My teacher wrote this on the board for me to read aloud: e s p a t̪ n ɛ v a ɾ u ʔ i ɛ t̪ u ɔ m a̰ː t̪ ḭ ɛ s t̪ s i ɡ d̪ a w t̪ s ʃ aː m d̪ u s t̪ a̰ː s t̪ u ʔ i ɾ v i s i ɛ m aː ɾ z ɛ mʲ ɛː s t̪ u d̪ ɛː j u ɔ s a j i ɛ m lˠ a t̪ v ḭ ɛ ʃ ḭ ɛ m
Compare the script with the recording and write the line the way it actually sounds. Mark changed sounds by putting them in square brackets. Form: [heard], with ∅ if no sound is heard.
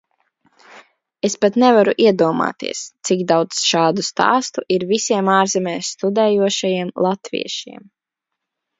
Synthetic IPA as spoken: e s p a t̪ n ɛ v a ɾ u ʔ i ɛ [d̪] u ɔ m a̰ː t̪ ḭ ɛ s t̪ s i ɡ d̪ a w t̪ s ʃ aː [∅] d̪ u s t̪ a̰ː s t̪ u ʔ i ɾ v i s i ɛ m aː ɾ z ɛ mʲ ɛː s t̪ u d̪ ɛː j u ɔ [ʃ] a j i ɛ m lˠ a t̪ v ḭ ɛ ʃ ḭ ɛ m